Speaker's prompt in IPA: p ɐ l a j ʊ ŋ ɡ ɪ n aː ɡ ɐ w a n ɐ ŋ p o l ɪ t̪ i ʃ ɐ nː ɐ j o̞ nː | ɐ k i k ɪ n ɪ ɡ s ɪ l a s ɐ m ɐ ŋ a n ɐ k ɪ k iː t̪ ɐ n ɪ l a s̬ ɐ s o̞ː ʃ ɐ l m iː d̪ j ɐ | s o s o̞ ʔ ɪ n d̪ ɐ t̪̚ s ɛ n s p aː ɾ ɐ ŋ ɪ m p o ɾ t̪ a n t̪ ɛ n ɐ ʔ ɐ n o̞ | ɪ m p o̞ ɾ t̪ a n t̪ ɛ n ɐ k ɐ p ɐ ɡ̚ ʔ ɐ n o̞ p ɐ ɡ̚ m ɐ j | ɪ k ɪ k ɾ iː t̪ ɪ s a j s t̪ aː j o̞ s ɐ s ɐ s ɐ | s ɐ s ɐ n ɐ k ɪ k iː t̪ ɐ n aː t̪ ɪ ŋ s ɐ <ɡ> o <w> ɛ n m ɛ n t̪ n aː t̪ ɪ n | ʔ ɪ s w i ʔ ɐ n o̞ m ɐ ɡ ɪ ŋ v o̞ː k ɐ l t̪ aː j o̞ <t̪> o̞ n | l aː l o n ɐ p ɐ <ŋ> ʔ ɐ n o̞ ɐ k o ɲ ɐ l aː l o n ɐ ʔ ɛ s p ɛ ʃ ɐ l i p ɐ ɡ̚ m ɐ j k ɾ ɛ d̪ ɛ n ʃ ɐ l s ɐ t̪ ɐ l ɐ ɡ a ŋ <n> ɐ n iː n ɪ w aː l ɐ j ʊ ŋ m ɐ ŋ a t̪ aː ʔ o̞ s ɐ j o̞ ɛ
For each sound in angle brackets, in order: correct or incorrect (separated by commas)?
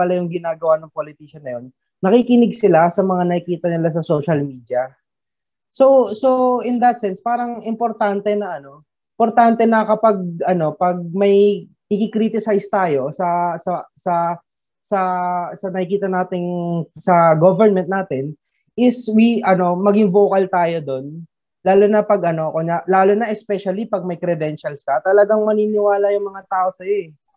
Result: correct, incorrect, incorrect, incorrect, incorrect